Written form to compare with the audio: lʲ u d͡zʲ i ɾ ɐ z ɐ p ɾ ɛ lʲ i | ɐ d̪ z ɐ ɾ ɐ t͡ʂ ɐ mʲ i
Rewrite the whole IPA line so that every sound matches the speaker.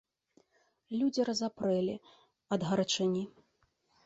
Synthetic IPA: lʲ u d͡zʲ i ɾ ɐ z a p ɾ ɛ lʲ i | ɐ d̪ ɣ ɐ ɾ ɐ t͡ʂ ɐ nʲ i